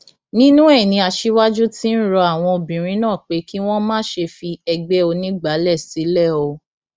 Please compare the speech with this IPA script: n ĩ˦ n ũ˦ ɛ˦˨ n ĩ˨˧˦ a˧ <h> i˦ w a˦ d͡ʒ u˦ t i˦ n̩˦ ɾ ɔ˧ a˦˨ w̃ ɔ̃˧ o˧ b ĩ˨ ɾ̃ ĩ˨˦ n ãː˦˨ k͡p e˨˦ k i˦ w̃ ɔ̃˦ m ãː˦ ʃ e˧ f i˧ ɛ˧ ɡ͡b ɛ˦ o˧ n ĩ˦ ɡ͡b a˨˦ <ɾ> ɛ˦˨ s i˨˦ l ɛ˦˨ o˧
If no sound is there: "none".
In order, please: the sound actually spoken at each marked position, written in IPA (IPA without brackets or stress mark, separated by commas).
ʃ, l